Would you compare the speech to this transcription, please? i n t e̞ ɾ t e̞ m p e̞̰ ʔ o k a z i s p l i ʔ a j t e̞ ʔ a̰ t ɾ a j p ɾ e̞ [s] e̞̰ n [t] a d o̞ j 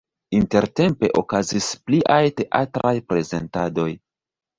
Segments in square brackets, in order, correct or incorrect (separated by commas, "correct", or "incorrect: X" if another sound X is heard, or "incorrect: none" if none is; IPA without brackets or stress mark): incorrect: z, correct